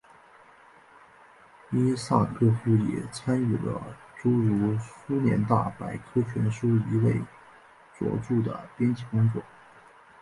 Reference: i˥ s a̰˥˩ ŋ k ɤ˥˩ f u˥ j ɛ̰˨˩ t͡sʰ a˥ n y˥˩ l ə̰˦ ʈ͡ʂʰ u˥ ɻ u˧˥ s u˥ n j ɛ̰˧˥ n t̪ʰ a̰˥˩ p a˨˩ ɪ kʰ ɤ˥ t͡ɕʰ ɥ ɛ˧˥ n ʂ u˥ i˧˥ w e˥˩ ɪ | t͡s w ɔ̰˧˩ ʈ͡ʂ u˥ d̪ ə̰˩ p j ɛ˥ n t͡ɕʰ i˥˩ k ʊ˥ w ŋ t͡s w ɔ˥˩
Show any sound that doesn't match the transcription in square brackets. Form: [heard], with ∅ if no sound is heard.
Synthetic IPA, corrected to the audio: i˥ s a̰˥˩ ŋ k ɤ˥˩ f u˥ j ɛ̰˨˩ t͡sʰ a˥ n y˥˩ l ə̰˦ [ʈ͡ʂ] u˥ ɻ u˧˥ s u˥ n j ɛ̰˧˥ n [t̪] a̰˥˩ p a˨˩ ɪ kʰ ɤ˥ t͡ɕʰ ɥ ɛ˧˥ n ʂ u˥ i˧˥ w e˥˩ ɪ | t͡s w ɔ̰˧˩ ʈ͡ʂ [u˥˩] d̪ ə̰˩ p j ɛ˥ n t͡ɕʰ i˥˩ k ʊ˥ [∅] ŋ t͡s w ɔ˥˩